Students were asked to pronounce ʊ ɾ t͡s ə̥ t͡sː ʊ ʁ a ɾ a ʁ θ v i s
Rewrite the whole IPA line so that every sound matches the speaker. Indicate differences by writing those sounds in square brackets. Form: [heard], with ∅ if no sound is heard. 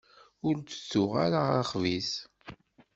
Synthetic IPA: ʊ ɾ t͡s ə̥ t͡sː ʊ ʁ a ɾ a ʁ [χ] v i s